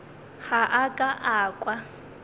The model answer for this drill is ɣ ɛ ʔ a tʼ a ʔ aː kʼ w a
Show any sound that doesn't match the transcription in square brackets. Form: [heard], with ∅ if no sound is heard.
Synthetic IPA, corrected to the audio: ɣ [a] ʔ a [kʼ] a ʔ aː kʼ w a